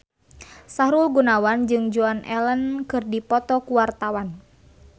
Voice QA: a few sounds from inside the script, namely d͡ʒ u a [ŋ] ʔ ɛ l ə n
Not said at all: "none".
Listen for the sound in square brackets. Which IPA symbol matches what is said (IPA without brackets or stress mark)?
n